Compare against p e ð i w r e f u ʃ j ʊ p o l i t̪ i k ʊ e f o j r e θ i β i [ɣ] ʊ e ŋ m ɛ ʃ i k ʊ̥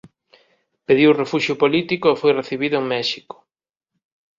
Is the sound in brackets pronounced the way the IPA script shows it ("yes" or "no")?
no